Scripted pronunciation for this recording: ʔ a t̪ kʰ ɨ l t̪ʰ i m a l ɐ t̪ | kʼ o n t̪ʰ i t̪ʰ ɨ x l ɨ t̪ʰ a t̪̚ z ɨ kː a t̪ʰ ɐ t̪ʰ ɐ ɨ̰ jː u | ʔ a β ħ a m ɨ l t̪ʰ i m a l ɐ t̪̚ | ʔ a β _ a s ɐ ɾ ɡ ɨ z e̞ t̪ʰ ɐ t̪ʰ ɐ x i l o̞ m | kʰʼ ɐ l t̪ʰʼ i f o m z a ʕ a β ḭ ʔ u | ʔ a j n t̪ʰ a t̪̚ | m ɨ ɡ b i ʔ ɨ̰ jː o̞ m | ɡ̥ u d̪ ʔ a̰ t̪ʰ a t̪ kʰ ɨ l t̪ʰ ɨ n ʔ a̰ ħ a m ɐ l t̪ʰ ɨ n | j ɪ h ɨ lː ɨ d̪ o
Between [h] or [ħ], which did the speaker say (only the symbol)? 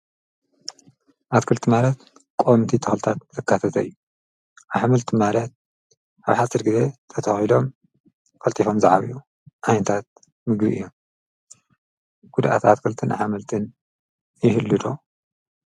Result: ħ